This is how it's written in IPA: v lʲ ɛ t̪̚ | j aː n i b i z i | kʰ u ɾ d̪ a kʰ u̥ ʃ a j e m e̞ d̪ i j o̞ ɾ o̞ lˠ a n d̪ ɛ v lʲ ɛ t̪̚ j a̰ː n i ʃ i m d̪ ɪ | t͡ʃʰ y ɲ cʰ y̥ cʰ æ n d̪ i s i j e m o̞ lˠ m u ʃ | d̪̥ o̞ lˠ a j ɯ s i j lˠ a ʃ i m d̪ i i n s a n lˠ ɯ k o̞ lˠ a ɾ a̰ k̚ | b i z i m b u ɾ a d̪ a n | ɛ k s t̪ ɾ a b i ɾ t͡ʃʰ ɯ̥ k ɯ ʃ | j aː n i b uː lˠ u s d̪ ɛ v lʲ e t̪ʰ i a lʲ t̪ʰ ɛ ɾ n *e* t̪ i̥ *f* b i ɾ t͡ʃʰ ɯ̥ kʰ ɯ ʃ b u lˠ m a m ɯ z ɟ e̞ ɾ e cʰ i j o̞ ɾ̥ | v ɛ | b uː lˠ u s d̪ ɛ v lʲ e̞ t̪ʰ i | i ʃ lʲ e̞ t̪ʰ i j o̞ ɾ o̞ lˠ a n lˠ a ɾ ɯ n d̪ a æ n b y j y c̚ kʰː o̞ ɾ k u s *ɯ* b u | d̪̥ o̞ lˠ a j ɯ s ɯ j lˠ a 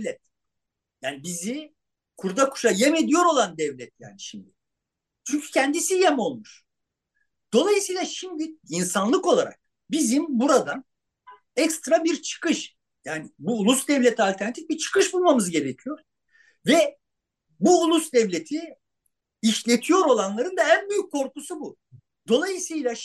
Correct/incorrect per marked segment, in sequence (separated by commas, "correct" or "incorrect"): incorrect, correct, incorrect